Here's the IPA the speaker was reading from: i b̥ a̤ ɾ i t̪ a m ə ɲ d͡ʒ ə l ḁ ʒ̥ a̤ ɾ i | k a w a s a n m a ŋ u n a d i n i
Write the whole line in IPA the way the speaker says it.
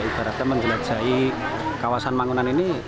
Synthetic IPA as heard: i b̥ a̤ ɾ a t̪ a m ə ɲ d͡ʒ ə l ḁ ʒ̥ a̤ i | k a w a s a n m a ŋ u n a n i n i